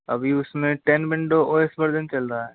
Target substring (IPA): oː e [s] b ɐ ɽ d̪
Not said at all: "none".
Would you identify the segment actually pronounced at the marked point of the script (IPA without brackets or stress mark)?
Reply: s